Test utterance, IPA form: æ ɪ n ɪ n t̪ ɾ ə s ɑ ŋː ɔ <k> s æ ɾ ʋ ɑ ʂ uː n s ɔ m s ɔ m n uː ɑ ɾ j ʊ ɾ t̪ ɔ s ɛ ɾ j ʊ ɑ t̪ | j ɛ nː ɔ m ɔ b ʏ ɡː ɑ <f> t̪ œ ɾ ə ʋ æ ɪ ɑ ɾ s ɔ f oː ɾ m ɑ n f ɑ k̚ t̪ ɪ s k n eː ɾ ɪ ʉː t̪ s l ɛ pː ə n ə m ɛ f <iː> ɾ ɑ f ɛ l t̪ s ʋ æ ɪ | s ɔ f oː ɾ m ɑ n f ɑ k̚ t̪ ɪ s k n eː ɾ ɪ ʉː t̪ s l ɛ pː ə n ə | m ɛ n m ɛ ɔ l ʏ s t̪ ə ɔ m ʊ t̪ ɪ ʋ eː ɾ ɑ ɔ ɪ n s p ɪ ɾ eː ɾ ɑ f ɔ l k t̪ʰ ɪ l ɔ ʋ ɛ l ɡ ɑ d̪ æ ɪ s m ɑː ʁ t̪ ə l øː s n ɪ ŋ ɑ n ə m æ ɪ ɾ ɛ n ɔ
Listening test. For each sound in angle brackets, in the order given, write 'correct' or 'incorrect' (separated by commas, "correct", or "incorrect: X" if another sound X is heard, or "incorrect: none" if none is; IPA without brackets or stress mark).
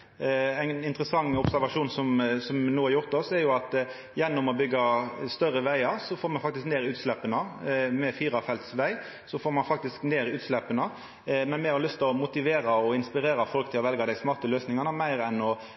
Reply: incorrect: p, incorrect: s, correct